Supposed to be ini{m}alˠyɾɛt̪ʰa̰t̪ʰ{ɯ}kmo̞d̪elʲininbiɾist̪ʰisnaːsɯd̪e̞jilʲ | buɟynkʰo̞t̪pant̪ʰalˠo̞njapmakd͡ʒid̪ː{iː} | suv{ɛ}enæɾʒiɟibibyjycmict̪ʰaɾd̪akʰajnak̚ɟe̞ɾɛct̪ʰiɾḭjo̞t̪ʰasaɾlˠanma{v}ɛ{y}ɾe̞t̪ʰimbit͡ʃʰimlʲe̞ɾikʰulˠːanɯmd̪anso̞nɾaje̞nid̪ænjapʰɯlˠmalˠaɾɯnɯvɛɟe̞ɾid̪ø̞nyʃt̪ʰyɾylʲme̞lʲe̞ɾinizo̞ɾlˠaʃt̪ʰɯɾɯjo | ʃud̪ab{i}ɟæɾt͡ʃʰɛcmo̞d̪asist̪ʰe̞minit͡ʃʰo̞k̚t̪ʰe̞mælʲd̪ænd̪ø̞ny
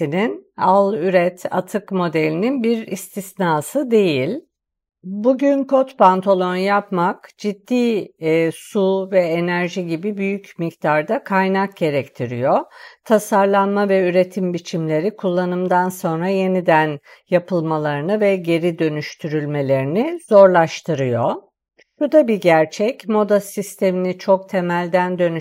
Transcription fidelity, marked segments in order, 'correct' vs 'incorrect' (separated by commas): incorrect, correct, correct, correct, correct, correct, correct